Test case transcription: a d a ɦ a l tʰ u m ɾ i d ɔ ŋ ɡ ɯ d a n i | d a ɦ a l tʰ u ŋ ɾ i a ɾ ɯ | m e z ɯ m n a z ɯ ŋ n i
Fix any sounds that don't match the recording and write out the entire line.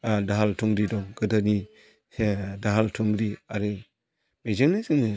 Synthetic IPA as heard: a d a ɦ a l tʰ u ŋ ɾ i d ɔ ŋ ɡ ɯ d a n i | d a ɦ a l tʰ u ŋ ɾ i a ɾ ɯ | m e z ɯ ŋ n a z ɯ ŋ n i